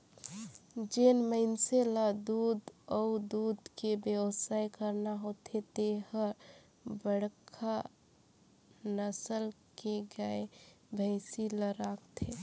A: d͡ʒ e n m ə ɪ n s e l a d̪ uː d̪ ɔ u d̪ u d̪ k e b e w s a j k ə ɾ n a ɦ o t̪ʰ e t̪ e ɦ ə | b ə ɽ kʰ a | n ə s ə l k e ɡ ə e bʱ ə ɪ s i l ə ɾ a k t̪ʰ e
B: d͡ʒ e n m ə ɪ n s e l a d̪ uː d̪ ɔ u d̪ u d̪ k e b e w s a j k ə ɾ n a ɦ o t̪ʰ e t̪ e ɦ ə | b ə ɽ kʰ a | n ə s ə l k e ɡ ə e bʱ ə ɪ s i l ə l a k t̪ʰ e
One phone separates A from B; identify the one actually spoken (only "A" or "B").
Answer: A